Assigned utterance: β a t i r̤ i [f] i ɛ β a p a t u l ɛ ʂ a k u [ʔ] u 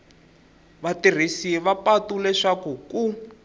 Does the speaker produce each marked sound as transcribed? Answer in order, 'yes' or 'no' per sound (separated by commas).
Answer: no, no